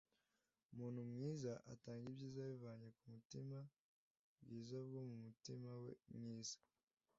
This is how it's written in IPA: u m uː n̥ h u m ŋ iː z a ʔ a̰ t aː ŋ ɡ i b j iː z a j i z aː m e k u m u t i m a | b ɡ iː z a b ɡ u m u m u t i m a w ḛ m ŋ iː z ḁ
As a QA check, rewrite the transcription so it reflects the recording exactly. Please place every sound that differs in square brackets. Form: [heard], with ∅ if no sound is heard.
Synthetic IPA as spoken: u m uː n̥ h u m ŋ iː z a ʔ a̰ t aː ŋ ɡ i b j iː z a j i [v] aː [ɲ] e k u m u t i m a | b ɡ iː z a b ɡ [o] m u m u t i m a w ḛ m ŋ iː z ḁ